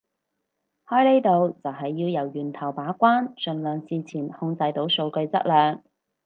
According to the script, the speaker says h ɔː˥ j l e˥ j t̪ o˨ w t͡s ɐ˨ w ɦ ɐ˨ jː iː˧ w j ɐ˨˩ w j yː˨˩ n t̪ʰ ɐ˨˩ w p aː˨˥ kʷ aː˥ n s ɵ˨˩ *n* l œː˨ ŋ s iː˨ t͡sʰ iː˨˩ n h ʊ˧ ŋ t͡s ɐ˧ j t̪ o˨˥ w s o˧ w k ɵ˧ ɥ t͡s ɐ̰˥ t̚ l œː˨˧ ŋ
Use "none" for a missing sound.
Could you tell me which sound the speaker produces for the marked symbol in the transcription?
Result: n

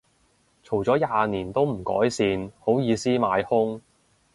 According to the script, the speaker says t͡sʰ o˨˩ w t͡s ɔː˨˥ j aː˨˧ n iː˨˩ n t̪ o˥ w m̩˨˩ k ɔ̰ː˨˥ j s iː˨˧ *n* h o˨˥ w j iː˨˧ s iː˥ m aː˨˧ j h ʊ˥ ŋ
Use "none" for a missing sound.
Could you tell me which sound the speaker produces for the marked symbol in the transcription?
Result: n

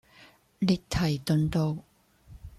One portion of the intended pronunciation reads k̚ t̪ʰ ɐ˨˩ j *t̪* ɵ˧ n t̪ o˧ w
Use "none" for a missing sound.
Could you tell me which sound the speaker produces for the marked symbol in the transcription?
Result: t̪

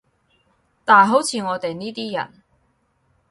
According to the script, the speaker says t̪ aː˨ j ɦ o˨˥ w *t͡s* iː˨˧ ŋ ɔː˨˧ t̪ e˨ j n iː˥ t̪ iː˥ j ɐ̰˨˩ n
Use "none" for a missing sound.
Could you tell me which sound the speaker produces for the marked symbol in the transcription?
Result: t͡sʰ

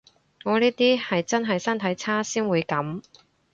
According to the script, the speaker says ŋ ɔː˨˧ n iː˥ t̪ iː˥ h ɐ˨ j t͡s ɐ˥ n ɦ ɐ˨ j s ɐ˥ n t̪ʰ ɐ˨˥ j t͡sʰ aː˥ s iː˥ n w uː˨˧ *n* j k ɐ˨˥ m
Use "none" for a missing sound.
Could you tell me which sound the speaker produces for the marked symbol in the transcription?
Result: none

